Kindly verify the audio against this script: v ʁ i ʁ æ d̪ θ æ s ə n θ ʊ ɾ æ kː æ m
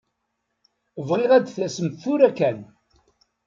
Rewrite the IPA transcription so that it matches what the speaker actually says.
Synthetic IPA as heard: v ʁ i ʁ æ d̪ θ æ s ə m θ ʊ ɾ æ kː æ n